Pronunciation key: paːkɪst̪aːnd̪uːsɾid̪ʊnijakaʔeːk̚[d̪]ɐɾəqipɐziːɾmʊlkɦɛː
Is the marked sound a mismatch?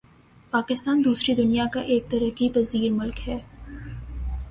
yes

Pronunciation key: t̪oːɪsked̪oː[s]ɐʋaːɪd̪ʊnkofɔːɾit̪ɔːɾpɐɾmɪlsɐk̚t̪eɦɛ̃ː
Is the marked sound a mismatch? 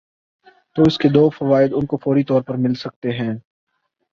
yes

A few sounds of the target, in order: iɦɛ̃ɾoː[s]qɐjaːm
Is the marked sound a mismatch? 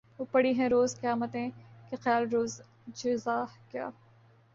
yes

